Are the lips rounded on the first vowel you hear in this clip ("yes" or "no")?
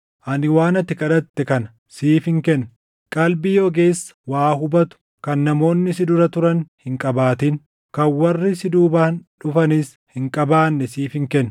no